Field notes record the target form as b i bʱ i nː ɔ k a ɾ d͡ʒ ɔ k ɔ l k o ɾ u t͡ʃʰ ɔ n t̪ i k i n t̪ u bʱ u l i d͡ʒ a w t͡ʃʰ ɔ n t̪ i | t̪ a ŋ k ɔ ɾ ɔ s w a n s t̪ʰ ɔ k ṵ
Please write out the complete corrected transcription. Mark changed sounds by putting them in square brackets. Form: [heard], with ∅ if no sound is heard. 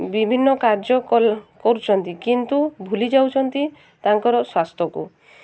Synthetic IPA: b i bʱ i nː ɔ k a ɾ d͡ʒ ɔ k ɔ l k [ɔ] ɾ u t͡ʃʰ ɔ n t̪ i k i n t̪ u bʱ u l i d͡ʒ a w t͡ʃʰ ɔ n t̪ i | t̪ a ŋ k ɔ ɾ ɔ s w a [∅] s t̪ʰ ɔ k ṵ